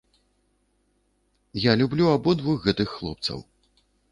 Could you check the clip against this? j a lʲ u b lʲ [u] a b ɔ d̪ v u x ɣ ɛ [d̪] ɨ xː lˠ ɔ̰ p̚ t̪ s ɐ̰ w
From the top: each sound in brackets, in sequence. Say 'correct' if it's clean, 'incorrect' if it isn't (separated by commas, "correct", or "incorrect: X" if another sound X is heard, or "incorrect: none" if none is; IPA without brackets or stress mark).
correct, incorrect: t̪